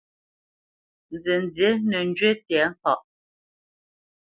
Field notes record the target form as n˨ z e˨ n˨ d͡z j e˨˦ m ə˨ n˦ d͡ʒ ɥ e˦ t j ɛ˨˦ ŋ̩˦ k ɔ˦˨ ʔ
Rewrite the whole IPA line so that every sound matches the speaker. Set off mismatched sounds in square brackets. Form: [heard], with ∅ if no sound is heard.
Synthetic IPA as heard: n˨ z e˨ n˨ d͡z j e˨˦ [n] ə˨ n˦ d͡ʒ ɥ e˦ t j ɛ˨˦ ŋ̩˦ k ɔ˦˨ ʔ